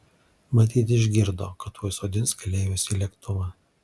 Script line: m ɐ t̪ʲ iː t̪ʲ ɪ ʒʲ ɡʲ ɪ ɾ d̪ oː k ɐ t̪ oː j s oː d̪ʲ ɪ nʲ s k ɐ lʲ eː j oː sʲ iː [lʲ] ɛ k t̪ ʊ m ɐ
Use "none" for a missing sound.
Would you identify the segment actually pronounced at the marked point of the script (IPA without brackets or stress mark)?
lʲ